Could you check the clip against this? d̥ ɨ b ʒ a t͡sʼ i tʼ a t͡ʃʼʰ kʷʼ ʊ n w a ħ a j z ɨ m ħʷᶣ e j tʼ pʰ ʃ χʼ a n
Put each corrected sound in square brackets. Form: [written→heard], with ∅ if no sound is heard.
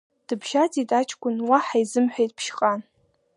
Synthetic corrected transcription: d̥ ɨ b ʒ a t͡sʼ i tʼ a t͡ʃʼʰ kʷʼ ʊ n w a ħ a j z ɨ m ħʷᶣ e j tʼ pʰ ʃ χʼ a n